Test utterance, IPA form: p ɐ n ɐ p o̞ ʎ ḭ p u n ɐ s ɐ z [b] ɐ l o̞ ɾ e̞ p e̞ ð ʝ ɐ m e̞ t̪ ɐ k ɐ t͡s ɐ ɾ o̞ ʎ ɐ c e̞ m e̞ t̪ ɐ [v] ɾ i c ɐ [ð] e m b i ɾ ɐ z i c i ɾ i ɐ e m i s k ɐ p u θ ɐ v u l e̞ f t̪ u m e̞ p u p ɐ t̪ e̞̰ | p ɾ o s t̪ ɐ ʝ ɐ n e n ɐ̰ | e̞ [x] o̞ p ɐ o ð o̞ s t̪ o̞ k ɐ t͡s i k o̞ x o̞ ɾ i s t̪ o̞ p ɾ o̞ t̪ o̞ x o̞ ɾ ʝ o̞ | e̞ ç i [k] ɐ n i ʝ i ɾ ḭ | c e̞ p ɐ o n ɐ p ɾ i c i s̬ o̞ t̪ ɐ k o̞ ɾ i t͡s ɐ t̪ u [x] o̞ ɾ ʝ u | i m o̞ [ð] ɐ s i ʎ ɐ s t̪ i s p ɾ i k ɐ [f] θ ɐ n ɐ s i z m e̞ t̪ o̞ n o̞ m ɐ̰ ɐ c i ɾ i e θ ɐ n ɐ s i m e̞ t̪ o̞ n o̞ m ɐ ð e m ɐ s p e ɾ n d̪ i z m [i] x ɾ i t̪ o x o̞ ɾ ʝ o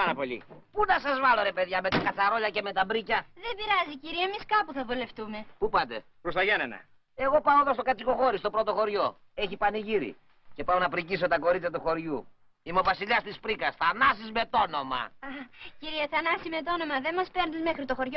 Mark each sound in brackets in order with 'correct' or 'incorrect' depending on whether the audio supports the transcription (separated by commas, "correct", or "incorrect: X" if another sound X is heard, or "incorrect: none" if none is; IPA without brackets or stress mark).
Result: incorrect: v, incorrect: b, correct, incorrect: ɣ, incorrect: p, correct, incorrect: v, incorrect: s, incorrect: e